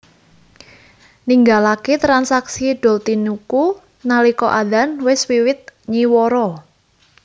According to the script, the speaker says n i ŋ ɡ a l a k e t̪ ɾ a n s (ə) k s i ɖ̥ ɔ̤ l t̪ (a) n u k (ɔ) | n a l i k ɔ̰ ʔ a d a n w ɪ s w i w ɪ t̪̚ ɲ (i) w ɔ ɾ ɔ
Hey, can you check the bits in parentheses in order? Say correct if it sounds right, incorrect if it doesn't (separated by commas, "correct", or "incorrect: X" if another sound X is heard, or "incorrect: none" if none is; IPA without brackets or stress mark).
incorrect: a, incorrect: i, incorrect: u, correct